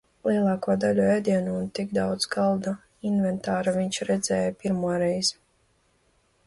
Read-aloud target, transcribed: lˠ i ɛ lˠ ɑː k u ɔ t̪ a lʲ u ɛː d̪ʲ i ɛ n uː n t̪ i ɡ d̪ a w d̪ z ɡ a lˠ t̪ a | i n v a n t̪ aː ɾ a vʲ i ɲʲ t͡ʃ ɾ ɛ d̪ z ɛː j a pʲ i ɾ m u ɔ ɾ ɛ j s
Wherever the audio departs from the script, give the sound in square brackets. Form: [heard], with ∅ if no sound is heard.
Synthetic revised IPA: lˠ i ɛ lˠ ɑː k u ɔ [d̪] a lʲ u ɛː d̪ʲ i ɛ n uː n t̪ i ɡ d̪ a w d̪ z ɡ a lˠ [d̪] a | i n v [ɛ] n t̪ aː ɾ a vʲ i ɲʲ t͡ʃ ɾ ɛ d̪ z ɛː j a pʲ i ɾ m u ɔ ɾ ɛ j [z]